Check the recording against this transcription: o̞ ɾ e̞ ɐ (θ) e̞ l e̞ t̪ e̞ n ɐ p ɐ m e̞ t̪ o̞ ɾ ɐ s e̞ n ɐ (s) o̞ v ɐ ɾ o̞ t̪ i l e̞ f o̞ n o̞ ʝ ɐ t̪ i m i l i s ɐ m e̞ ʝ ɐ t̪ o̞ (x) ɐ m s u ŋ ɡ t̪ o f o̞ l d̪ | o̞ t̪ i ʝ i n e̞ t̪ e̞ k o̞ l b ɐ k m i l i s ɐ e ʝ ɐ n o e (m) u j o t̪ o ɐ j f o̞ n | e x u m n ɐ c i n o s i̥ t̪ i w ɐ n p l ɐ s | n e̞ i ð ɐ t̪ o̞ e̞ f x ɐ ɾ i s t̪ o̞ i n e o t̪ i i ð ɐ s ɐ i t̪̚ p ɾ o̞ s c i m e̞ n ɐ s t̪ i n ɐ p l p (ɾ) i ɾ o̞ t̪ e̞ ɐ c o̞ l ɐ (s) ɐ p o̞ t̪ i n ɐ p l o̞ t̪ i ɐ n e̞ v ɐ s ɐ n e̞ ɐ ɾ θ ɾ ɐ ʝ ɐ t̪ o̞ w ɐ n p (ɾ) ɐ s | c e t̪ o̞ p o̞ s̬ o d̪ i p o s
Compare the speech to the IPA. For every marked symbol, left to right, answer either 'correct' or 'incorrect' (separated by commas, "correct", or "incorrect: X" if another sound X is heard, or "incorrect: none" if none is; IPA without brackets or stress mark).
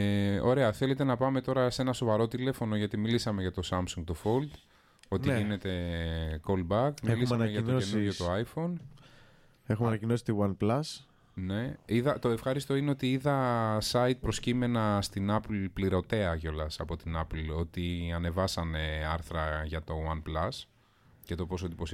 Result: correct, correct, incorrect: s, incorrect: n, incorrect: l, correct, incorrect: l